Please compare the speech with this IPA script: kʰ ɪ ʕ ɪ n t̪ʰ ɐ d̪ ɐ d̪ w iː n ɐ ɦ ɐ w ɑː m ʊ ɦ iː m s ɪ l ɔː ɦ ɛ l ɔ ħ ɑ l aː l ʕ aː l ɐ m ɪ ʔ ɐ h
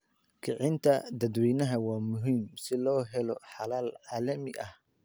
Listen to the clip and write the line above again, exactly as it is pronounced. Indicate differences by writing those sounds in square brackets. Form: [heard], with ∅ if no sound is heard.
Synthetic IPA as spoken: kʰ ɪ ʕ ɪ n t̪ʰ ɐ d̪ ɐ d̪ w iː n ɐ ɦ ɐ w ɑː m ʊ ɦ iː m s ɪ l ɔː ɦ ɛ l ɔ ħ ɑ l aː l ʕ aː l ɐ m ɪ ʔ ɐ h